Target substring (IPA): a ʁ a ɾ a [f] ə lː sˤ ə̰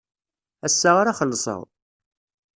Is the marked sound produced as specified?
no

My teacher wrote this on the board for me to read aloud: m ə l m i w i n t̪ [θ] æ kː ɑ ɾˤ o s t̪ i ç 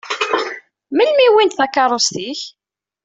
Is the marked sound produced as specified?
yes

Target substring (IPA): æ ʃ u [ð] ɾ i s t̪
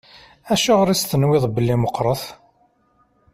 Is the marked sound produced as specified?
no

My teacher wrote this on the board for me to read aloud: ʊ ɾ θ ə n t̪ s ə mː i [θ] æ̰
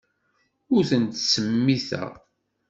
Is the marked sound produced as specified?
yes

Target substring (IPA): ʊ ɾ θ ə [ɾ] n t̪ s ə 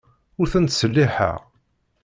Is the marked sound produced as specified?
no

